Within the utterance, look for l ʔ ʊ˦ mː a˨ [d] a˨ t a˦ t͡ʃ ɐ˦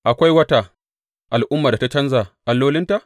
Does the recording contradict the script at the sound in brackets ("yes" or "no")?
no